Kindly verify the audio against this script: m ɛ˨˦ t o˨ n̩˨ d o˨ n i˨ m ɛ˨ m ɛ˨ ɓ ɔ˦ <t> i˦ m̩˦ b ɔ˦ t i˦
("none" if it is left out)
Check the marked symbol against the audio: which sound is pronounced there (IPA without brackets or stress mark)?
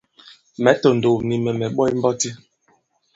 none